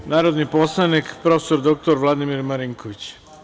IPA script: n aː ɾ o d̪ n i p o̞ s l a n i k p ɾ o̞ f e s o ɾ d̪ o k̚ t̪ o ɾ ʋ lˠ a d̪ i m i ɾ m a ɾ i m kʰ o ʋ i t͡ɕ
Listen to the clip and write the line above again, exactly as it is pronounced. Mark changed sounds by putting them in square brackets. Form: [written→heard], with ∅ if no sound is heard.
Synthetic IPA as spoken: n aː ɾ o d̪ n i p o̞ s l a n i k p ɾ o̞ f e s o ɾ d̪ o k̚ t̪ o ɾ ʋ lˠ a d̪ i m i ɾ m a ɾ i [m→ŋ] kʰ o ʋ i t͡ɕ